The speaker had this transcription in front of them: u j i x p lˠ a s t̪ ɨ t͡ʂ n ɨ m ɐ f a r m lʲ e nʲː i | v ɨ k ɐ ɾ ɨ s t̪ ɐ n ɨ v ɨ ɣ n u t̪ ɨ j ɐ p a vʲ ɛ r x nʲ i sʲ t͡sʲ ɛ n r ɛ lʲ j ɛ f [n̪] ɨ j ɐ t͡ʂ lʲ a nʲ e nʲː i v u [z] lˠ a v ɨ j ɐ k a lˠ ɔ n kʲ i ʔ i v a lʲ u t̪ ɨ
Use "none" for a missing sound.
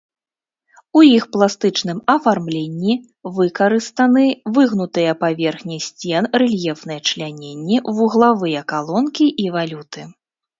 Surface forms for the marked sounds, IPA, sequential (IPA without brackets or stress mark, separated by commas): n̪, ɣ